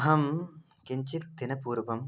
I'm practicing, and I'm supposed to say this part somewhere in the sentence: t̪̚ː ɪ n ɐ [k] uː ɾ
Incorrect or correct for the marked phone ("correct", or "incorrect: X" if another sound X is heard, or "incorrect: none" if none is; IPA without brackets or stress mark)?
incorrect: p